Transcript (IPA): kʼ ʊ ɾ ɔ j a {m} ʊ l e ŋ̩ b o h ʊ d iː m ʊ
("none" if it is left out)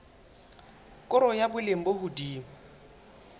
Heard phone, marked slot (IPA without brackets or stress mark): b